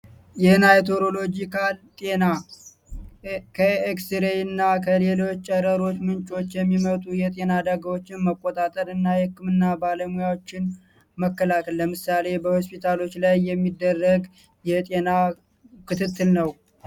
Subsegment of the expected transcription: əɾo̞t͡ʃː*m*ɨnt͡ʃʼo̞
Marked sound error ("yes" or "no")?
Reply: no